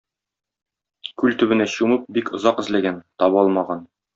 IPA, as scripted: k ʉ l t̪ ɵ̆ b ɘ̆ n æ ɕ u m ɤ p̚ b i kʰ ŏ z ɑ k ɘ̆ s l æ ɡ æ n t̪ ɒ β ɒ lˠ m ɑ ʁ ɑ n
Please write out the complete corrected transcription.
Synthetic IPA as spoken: k ʉ l t̪ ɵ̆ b ɘ̆ n æ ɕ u m ɤ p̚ b i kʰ ŏ z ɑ q ɘ̆ z l æ ɡ æ n t̪ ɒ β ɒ lˠ m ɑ ʁ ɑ n